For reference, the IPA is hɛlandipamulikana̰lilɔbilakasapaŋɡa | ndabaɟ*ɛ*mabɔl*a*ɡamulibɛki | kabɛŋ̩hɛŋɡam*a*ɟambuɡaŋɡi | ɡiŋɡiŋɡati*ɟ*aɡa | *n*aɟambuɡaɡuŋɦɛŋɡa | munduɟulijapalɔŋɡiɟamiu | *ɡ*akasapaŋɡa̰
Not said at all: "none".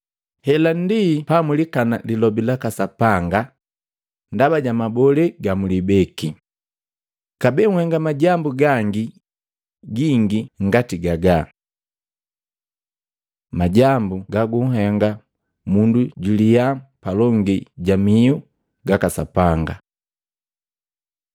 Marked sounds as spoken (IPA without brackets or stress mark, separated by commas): a, ɛ, a, ɡ, m, ɡ